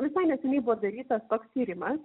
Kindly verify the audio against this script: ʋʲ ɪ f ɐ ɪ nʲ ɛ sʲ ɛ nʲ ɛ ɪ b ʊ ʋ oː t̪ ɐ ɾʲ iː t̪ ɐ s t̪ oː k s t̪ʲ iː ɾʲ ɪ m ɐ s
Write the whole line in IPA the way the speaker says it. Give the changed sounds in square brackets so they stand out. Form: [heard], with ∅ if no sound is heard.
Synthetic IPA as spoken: ʋʲ ɪ [s] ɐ ɪ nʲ ɛ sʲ ɛ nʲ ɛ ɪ b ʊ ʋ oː [d̪] ɐ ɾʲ iː t̪ ɐ s t̪ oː k s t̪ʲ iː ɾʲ ɪ m ɐ s